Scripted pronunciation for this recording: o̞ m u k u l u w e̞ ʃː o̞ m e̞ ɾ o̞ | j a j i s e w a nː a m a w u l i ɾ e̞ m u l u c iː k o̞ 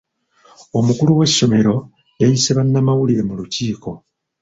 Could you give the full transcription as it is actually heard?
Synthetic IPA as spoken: o̞ m u k u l u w e̞ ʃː o̞ m e̞ ɾ o̞ | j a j i s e β a nː a m a w u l i ɾ e̞ m u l u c iː k o̞